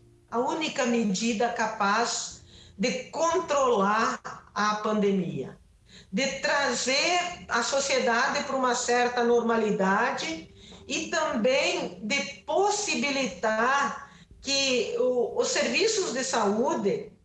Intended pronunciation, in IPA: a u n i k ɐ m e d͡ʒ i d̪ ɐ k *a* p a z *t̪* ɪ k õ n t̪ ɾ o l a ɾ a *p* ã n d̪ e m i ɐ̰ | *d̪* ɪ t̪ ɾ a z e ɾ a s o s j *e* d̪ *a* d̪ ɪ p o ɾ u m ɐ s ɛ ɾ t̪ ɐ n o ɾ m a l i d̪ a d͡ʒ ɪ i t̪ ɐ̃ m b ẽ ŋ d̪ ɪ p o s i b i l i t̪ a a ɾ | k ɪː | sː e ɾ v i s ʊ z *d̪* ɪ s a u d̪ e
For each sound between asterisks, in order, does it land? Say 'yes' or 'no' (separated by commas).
yes, no, yes, yes, yes, yes, yes